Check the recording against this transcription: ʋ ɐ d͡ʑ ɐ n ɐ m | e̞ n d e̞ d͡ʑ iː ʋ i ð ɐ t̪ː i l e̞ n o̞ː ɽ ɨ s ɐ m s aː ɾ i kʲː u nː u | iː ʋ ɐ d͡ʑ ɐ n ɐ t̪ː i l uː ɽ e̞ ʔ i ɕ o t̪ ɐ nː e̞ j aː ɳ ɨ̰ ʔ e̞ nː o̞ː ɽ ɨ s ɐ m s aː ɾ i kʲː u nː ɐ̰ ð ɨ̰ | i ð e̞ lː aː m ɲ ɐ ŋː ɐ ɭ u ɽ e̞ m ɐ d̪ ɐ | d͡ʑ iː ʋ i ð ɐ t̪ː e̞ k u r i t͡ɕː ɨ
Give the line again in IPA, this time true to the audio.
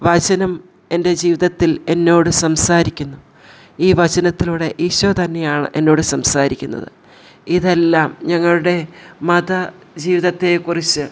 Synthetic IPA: ʋ ɐ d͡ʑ ɐ n ɐ m | e̞ n d e̞ d͡ʑ iː ʋ i ð ɐ t̪ː i l e̞ nː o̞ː ɽ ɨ s ɐ m s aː ɾ i kʲː u nː u | iː ʋ ɐ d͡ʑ ɐ n ɐ t̪ː i l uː ɽ e̞ ʔ i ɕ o t̪ ɐ nː e̞ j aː ɳ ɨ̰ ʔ e̞ nː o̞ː ɽ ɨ s ɐ m s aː ɾ i kʲː u nː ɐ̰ ð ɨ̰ | i ð e̞ lː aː m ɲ ɐ ŋː ɐ ɭ u ɽ e̞ m ɐ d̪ ɐ | d͡ʑ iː ʋ i ð ɐ t̪ː e̞ k u r i t͡ɕː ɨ